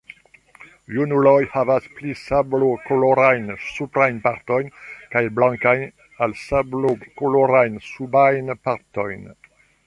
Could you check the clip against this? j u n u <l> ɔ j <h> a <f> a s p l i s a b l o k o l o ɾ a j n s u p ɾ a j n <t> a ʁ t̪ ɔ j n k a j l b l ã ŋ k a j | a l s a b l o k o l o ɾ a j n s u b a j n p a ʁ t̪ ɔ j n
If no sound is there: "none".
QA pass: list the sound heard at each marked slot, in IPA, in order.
l, h, v, p

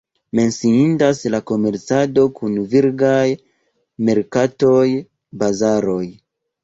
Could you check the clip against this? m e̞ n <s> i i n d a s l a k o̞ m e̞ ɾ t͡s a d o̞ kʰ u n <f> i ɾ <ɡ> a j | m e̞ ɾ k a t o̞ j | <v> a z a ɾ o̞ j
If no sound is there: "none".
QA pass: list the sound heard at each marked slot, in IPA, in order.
s, v, ɡ, b

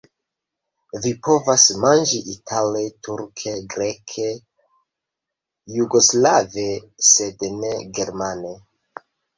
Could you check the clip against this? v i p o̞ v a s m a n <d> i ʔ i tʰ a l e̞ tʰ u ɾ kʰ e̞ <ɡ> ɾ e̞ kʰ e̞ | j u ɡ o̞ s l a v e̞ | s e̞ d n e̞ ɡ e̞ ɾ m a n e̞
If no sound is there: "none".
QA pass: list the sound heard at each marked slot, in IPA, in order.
d͡ʒ, ɡ

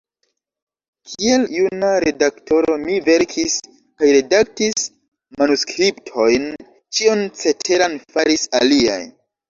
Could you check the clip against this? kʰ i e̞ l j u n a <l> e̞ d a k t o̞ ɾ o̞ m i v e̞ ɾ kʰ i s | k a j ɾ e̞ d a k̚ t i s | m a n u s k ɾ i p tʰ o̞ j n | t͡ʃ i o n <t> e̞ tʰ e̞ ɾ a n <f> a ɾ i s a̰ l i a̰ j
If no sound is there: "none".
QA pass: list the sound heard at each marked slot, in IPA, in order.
ɾ, t͡s, f

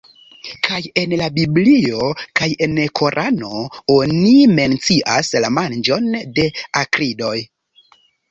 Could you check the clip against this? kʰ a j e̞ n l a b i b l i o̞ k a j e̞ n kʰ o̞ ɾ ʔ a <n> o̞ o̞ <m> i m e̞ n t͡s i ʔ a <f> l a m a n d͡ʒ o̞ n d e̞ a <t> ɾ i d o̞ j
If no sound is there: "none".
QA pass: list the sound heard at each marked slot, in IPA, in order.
n, n, s, k

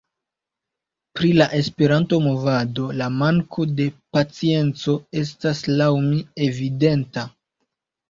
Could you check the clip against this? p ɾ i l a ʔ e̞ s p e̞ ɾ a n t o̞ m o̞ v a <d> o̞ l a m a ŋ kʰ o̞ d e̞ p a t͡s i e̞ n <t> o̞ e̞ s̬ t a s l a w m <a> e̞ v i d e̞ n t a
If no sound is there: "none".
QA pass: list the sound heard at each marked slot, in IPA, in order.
d, t͡s, i

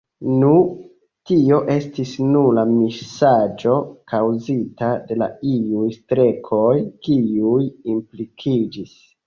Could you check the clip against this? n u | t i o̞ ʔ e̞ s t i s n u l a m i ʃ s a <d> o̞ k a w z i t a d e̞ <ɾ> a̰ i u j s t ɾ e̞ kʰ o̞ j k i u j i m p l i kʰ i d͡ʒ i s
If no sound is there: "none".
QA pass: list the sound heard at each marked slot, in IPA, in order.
d͡ʒ, l

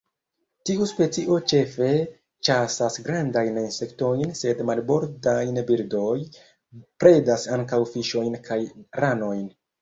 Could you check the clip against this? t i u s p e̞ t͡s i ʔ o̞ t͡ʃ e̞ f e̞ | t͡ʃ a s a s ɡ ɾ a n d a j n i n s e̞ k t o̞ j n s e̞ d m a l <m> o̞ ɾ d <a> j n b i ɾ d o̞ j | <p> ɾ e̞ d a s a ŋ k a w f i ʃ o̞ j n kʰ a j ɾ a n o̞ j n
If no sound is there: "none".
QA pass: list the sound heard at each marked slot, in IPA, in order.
b, a, p

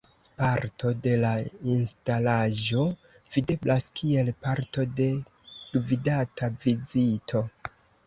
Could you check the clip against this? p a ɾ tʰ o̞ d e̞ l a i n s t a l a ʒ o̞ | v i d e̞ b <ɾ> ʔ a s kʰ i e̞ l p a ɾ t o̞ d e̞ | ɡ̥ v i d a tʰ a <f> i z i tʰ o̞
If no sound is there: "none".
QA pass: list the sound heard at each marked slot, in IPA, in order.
l, v

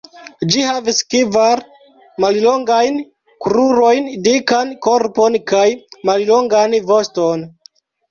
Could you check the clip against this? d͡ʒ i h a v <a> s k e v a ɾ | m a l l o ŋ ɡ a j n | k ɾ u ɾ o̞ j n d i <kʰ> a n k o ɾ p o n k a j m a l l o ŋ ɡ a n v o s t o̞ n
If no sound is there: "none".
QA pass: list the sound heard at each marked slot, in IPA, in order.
i, k

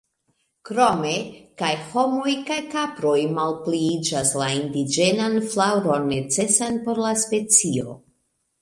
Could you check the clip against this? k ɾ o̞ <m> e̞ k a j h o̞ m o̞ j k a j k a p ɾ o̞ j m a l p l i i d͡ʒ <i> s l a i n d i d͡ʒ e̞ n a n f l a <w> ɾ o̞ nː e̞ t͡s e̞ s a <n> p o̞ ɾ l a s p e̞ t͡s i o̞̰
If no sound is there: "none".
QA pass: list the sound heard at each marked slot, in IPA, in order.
m, a, w, n

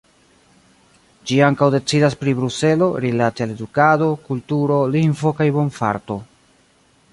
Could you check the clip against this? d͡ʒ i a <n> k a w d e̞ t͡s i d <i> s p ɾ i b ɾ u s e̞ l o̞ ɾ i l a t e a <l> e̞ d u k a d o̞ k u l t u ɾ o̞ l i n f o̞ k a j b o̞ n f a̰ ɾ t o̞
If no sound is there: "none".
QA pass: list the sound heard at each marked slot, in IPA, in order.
ŋ, a, l

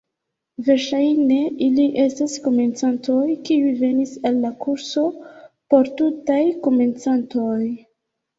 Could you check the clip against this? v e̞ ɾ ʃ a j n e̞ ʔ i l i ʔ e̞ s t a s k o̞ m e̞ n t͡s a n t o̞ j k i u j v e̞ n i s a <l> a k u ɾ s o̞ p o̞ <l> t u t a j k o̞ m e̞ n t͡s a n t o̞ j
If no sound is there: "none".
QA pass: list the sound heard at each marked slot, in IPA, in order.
lː, ɾ

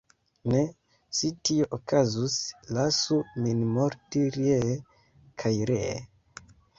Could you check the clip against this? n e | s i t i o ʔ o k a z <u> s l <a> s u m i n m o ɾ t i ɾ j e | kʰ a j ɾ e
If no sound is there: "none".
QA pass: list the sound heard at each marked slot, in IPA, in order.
u, a

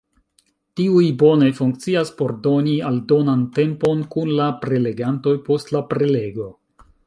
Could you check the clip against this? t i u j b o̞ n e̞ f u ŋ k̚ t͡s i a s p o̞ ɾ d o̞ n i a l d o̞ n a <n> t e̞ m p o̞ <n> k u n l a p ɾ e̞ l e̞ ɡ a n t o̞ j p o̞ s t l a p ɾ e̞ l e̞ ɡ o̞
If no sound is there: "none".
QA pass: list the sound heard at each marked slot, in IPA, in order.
n, n

